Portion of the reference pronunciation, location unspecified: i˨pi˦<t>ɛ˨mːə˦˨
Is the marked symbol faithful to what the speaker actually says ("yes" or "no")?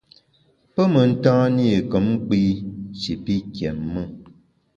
no